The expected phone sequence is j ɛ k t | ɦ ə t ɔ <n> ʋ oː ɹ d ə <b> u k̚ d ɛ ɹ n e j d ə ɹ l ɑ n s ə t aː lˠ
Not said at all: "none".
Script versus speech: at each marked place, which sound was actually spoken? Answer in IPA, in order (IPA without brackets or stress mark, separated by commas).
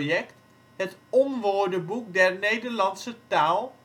m, b